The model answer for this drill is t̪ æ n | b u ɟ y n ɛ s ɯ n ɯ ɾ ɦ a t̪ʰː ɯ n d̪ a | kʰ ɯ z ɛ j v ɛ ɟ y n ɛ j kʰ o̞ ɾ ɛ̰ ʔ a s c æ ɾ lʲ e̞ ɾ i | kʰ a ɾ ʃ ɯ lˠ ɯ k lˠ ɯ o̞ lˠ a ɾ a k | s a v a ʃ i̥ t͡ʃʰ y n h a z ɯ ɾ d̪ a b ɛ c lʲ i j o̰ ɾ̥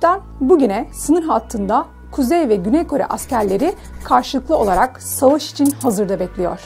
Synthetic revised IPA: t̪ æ n | b u ɟ y n ɛ s ɯ n ɯ ɾ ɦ a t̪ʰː ɯ n d̪ a | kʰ u z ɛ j v ɛ ɟ y n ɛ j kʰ o̞ ɾ ɛ̰ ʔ a s c æ ɾ lʲ e̞ ɾ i | kʰ a ɾ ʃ ɯ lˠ ɯ k lˠ ɯ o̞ lˠ a ɾ a k | s a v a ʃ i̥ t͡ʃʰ i n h a z ɯ ɾ d̪ a b ɛ c lʲ i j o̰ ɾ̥